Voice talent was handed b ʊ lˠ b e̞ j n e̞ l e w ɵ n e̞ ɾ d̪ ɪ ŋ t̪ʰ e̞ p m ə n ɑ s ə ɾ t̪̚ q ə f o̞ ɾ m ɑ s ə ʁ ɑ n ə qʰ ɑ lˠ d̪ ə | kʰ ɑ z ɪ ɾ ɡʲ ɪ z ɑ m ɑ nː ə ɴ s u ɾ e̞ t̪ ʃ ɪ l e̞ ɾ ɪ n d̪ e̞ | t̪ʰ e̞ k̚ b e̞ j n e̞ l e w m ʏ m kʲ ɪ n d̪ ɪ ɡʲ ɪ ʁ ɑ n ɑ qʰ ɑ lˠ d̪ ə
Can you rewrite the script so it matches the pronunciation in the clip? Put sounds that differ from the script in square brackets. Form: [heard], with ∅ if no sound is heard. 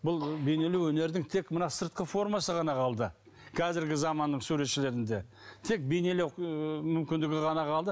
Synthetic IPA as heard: b ʊ lˠ b e̞ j n e̞ l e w ɵ n e̞ ɾ d̪ ɪ ŋ t̪ʰ e̞ [k] m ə n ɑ s ə ɾ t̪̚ q ə f o̞ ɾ m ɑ s ə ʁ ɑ n [ɑ] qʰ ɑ lˠ d̪ ə | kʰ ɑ z ɪ ɾ ɡʲ ɪ z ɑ m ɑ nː ə ɴ s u ɾ e̞ t̪ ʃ ɪ l e̞ ɾ ɪ n d̪ e̞ | t̪ʰ e̞ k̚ b e̞ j n e̞ l e w m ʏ m kʲ ɪ n d̪ ɪ ɡʲ ɪ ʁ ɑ n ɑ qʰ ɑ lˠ d̪ ə